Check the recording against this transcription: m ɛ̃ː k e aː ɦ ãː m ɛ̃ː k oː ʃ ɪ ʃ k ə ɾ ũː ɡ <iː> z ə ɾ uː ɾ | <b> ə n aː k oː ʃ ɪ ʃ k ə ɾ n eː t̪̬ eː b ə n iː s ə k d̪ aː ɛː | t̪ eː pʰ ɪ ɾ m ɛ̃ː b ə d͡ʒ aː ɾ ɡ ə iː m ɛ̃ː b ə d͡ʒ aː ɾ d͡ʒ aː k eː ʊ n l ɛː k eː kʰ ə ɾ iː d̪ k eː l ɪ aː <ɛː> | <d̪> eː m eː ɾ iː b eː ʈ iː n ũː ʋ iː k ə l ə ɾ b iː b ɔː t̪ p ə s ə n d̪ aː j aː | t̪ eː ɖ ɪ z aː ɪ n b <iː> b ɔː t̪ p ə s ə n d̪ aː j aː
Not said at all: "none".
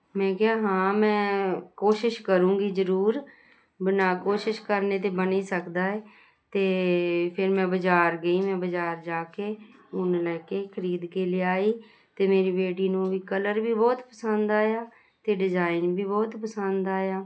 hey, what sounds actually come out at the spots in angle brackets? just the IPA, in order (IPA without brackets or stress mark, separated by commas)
iː, b, iː, t̪, iː